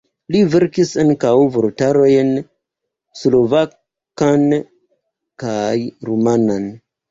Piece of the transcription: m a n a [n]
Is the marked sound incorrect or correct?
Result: correct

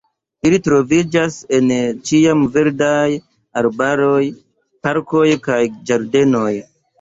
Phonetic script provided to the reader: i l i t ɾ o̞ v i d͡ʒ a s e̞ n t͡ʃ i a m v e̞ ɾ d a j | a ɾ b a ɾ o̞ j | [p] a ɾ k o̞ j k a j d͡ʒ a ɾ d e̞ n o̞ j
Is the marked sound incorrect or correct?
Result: correct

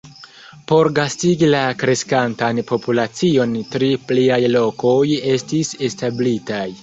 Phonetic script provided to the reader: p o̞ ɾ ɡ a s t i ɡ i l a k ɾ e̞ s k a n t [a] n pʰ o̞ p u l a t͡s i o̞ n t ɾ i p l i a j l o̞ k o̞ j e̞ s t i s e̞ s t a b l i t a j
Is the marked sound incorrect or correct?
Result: correct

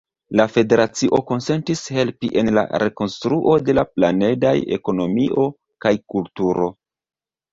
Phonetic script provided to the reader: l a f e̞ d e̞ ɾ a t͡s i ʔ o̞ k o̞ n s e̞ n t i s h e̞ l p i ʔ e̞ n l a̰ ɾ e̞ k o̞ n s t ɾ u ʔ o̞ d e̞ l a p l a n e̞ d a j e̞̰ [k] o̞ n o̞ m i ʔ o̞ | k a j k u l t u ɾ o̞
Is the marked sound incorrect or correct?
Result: correct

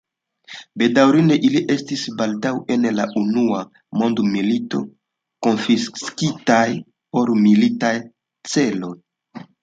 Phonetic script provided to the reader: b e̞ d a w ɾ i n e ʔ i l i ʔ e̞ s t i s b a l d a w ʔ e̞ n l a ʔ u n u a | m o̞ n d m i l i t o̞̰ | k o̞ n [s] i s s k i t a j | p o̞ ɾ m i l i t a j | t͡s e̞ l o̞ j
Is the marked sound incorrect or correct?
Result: incorrect: f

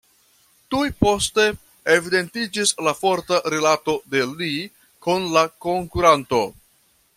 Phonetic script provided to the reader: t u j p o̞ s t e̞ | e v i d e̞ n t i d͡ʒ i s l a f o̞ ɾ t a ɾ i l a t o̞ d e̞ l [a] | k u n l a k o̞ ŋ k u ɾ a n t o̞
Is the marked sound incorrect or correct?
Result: incorrect: i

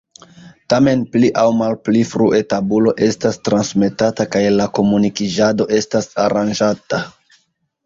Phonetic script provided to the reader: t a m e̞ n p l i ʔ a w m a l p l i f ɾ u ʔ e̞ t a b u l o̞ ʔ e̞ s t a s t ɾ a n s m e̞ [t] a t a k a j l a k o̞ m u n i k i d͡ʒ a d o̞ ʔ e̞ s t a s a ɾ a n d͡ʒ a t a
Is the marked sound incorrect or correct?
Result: correct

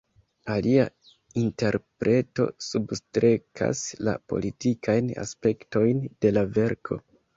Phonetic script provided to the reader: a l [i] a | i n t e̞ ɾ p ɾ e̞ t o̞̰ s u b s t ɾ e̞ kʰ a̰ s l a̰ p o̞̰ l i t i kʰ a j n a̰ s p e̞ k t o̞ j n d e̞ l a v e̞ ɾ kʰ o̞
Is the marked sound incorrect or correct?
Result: correct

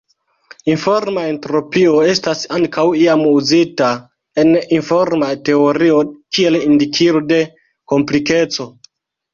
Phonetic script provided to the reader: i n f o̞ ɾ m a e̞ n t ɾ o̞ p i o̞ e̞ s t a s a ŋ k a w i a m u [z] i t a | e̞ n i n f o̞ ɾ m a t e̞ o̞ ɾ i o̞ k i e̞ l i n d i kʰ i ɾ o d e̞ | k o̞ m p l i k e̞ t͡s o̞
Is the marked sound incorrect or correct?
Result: correct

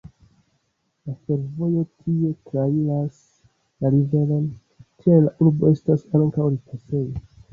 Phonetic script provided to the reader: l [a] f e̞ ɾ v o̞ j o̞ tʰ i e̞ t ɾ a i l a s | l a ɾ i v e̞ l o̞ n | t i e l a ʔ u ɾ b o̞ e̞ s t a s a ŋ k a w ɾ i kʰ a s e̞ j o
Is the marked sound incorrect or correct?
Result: correct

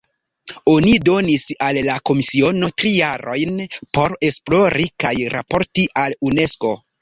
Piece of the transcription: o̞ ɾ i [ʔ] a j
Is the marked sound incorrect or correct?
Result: incorrect: k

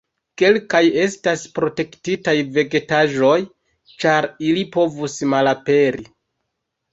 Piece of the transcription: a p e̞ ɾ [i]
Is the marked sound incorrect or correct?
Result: correct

